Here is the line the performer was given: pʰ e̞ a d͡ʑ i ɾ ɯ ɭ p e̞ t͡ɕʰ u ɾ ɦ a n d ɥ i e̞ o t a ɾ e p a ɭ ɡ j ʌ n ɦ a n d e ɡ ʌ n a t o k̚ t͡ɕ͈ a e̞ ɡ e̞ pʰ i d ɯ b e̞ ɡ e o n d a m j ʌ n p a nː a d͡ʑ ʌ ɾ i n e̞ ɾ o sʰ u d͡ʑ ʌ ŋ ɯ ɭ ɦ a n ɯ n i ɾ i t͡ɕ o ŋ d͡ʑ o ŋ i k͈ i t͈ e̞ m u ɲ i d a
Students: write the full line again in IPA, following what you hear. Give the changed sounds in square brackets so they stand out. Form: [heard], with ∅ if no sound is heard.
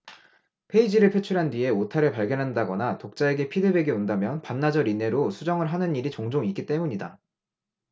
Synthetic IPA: pʰ e̞ [i] d͡ʑ i ɾ ɯ ɭ [pʰ] e̞ t͡ɕʰ u ɾ ɦ a n d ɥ i e̞ o [tʰ] a ɾ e p a ɭ ɡ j ʌ n ɦ a n d [a] ɡ ʌ n a t o k̚ t͡ɕ͈ a e̞ ɡ e̞ pʰ i d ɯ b e̞ ɡ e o n d a m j ʌ n p a nː a d͡ʑ ʌ ɾ i n e̞ ɾ o sʰ u d͡ʑ ʌ ŋ ɯ ɭ ɦ a n ɯ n i ɾ i t͡ɕ o ŋ d͡ʑ o ŋ i k͈ i t͈ e̞ m u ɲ i d a